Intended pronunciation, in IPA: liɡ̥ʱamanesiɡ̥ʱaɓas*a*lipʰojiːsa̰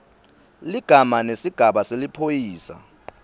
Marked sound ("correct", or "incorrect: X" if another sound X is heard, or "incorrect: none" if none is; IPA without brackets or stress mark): incorrect: e